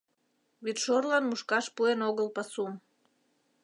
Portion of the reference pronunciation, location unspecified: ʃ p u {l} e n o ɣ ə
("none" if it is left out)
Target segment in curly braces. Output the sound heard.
none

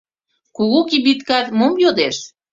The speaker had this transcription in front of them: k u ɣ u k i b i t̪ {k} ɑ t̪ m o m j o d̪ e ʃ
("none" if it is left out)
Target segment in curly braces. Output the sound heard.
k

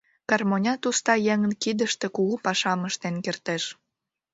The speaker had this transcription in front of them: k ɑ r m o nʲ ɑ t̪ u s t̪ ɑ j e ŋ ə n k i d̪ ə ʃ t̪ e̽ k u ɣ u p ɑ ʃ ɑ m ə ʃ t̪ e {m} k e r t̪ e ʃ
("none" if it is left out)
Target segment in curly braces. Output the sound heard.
n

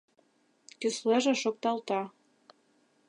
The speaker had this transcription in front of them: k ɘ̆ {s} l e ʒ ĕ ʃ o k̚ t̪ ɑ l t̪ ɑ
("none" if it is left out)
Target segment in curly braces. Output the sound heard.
s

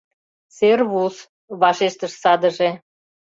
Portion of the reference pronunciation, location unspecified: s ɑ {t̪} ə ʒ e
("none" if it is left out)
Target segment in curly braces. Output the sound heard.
d̪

